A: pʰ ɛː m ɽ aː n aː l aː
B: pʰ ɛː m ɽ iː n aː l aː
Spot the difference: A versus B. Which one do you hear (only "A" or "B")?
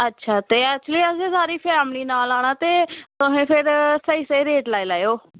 B